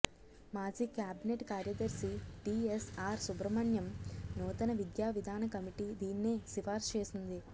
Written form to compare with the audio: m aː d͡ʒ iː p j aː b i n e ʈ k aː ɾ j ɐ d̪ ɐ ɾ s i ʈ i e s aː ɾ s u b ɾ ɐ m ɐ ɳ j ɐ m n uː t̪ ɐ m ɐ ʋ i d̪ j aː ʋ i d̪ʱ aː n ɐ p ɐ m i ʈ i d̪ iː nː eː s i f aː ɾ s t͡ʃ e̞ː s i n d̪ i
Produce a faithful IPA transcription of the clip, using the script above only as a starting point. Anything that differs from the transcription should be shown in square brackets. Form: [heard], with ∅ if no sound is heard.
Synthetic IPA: m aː d͡ʒ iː [k] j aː b i n e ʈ k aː ɾ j ɐ d̪ ɐ ɾ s i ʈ i e s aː ɾ s u b ɾ ɐ m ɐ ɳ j ɐ m n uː t̪ ɐ [n] ɐ ʋ i d̪ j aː ʋ i d̪ʱ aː n ɐ [k] ɐ m i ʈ i d̪ iː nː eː s i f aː ɾ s t͡ʃ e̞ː s i n d̪ i